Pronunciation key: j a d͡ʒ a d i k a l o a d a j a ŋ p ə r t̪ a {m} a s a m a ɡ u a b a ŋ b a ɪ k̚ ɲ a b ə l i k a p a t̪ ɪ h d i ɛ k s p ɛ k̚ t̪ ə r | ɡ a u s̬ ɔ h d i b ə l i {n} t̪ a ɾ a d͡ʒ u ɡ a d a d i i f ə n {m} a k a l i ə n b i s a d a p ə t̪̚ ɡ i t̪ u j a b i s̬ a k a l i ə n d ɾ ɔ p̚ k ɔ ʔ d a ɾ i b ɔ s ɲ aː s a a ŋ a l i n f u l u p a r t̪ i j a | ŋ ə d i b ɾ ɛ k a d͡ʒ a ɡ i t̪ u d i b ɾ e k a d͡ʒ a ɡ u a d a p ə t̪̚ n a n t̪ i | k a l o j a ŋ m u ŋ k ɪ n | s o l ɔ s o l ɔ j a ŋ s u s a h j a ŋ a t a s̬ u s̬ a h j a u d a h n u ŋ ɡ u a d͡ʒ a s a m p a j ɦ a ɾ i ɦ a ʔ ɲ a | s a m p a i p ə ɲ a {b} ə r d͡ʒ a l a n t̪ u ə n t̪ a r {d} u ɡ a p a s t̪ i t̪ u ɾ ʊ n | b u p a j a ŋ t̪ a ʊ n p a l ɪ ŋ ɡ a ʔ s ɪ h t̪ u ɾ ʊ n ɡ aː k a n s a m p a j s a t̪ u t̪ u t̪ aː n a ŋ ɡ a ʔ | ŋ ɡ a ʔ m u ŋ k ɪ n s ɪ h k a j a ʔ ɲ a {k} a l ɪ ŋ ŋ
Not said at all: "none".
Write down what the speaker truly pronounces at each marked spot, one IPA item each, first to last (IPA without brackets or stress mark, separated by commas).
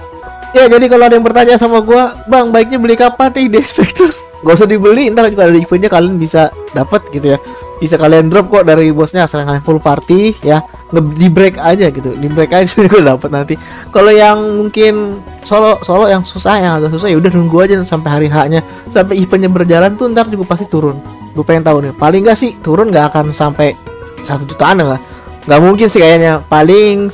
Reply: ɲ, n, ɲ, b, d͡ʒ, p